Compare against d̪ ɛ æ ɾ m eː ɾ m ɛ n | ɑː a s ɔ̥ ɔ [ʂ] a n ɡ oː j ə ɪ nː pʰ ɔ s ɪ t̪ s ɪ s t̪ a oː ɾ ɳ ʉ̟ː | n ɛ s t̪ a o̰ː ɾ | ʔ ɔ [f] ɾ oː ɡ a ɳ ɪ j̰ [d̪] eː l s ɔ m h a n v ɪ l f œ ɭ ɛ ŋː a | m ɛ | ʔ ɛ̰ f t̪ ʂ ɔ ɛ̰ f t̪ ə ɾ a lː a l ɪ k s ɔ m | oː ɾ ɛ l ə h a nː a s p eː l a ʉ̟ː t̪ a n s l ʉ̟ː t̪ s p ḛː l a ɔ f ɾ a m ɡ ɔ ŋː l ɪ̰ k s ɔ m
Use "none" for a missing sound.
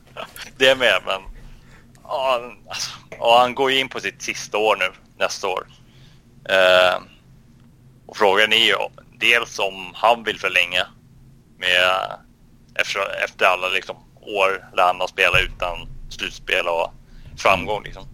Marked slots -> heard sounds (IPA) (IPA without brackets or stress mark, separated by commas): h, f, d̪